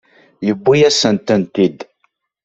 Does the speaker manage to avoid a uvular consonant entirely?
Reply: yes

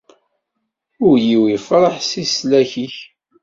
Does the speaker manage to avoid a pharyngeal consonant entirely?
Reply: no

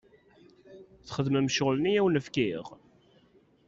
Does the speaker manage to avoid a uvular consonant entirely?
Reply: no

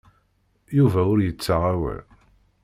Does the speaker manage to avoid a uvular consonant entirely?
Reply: no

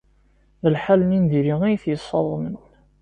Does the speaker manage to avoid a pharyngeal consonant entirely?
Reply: no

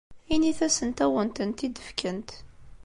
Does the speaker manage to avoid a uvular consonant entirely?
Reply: yes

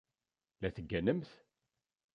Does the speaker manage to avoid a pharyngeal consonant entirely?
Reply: yes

